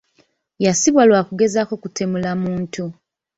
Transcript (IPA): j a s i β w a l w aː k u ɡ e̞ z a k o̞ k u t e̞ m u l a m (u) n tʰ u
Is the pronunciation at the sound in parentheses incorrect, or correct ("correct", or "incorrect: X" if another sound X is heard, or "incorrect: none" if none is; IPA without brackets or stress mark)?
incorrect: uː